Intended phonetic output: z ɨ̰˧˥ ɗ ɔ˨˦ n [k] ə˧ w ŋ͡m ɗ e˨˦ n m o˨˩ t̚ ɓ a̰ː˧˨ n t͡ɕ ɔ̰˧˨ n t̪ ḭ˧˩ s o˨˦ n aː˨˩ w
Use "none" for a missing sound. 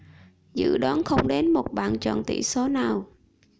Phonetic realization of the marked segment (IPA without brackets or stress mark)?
x